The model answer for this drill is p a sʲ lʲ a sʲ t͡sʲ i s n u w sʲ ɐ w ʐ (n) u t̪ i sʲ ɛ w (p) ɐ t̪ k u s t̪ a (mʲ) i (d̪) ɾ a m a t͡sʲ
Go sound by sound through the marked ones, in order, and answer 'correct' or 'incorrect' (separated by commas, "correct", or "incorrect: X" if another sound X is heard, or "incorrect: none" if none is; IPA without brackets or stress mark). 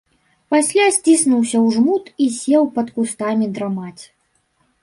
incorrect: m, correct, correct, correct